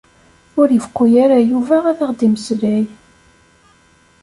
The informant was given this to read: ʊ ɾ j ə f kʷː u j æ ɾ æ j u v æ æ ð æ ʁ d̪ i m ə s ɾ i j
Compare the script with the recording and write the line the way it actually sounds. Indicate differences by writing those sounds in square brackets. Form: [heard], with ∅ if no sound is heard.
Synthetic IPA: ʊ ɾ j ə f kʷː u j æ ɾ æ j u v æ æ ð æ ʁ d̪ i m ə s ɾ [æ] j